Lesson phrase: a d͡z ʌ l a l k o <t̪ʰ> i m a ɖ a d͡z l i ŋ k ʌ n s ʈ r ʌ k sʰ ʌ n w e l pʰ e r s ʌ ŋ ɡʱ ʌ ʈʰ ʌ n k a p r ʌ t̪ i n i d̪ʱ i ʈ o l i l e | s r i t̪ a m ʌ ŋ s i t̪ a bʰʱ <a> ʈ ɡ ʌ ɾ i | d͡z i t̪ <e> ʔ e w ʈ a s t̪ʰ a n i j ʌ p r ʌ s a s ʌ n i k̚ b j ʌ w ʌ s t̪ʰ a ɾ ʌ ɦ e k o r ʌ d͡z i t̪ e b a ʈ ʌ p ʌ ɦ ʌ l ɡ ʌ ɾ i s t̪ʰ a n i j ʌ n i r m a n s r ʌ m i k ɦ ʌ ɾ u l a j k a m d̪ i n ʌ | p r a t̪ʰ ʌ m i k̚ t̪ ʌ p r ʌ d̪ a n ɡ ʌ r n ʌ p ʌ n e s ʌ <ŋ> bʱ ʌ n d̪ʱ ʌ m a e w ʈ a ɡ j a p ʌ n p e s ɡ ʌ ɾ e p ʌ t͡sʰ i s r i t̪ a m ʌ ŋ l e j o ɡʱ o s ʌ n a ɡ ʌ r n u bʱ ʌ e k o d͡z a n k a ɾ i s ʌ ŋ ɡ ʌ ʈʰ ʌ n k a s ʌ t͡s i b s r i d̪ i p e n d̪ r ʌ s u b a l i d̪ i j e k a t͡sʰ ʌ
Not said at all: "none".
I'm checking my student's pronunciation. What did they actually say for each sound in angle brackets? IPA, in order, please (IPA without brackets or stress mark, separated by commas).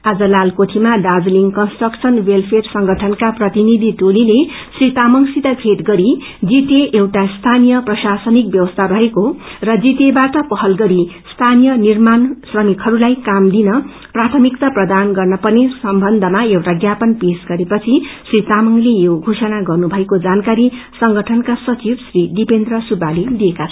t̪ʰ, e, e, m